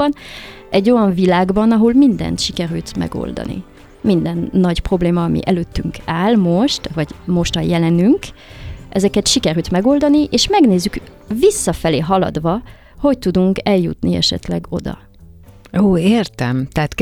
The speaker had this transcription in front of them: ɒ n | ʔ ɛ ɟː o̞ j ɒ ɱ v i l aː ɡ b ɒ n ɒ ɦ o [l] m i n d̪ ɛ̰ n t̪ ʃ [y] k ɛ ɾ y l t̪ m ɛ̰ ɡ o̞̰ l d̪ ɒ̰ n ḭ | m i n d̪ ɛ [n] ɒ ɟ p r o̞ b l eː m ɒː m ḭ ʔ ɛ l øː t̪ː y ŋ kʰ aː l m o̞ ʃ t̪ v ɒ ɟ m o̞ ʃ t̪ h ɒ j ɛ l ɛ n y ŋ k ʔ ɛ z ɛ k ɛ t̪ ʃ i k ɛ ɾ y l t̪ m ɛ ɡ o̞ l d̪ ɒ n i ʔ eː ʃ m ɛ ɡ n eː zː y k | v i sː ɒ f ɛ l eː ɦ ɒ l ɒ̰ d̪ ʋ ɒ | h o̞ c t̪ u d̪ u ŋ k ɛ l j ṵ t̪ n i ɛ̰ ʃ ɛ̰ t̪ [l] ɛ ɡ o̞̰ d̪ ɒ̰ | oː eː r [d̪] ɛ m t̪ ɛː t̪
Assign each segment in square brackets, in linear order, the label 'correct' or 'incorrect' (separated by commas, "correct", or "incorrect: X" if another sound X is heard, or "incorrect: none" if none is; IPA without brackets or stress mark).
correct, incorrect: i, incorrect: nː, correct, incorrect: t̪